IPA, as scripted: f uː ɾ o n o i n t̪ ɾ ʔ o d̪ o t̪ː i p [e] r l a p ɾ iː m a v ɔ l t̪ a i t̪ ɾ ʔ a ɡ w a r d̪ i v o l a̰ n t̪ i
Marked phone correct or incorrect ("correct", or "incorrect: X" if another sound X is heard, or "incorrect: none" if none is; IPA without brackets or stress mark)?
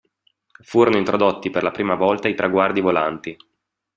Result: correct